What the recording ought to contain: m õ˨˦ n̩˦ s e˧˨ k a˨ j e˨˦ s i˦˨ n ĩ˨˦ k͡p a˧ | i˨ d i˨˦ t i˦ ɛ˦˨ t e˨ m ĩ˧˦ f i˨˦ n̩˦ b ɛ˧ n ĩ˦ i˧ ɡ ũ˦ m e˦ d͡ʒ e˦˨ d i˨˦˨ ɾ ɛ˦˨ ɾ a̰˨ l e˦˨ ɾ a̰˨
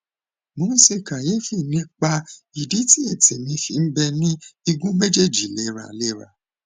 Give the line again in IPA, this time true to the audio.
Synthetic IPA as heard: m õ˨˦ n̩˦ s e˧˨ k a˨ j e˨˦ f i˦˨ n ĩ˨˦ k͡p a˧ | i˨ d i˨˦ t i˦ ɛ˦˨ t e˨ m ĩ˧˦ f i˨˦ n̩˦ b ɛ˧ n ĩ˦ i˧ ɡ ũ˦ m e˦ d͡ʒ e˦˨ d͡ʒ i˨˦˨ l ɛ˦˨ ɾ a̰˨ l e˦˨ ɾ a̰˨